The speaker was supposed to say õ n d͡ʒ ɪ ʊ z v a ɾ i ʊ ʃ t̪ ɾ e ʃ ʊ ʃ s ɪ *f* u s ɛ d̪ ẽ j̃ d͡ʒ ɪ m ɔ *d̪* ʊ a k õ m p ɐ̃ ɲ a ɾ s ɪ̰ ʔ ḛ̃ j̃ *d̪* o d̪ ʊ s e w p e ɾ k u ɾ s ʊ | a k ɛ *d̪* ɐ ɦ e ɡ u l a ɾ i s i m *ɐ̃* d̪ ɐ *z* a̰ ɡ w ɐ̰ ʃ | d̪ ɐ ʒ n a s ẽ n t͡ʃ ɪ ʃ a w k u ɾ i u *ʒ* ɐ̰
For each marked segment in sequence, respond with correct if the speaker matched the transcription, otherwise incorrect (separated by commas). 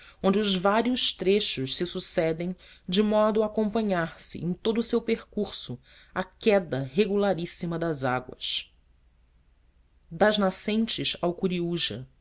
incorrect, correct, incorrect, correct, incorrect, correct, correct